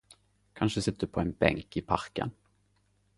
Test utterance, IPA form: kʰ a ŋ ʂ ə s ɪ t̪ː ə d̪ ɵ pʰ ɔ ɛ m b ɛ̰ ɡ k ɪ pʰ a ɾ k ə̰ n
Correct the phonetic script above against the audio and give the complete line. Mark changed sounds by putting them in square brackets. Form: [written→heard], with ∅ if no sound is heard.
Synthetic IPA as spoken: kʰ a [ŋ→n] ʂ ə s ɪ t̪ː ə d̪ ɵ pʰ ɔ ɛ [m→n] b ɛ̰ [ɡ→ŋ] k ɪ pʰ a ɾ k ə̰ n